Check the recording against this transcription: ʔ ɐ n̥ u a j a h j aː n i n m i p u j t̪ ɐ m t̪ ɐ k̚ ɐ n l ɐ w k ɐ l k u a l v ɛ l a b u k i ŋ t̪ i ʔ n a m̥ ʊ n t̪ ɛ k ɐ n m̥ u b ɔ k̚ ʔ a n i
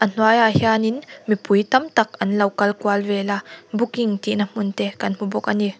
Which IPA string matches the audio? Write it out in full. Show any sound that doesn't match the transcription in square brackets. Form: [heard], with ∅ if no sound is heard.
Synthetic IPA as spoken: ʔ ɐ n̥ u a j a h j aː n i n m i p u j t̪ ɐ m t̪ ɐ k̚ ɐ n l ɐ w k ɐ l k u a l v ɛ l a b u k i ŋ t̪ i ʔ n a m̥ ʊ n t̪ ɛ k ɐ n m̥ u b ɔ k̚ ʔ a n i